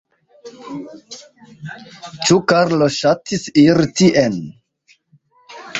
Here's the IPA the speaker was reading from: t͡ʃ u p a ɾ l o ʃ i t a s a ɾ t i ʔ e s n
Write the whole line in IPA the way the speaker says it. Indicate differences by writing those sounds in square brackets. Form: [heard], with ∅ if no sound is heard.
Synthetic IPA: t͡ʃ u [k] a ɾ l o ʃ [a] t [i] s [i] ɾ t i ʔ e [∅] n